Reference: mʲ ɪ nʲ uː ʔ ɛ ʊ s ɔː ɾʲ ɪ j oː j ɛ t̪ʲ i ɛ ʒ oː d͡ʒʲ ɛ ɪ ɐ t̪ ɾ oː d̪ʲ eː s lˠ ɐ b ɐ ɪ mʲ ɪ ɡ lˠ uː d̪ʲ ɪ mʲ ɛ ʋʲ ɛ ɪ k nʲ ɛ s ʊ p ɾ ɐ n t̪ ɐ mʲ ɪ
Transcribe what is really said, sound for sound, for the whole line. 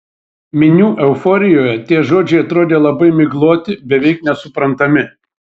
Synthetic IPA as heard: mʲ ɪ nʲ uː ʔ ɛ ʊ f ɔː ɾʲ ɪ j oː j ɛ t̪ʲ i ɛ ʒ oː d͡ʒʲ ɛ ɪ ɐ t̪ ɾ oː d̪ʲ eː lˠ ɐ b ɐ ɪ mʲ ɪ ɡ lˠ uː t̪ʲ ɪ bʲ ɛ ʋʲ ɛ ɪ k nʲ ɛ s ʊ p ɾ ɐ n t̪ ɐ mʲ ɪ